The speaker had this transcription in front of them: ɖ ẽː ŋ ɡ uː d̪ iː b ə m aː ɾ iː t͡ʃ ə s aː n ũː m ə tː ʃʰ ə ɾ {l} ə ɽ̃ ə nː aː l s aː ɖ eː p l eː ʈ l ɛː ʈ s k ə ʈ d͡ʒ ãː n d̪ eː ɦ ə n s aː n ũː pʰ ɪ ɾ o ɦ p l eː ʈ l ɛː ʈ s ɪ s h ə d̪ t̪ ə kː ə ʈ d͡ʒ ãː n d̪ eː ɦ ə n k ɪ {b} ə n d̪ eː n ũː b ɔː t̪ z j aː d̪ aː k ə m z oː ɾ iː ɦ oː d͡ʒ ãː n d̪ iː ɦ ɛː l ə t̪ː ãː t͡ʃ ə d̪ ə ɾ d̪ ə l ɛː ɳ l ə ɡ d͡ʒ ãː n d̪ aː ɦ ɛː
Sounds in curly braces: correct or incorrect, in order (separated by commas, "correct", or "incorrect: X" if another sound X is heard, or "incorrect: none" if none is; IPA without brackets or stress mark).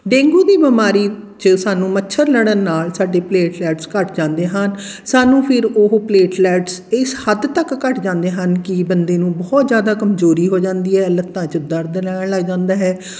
correct, correct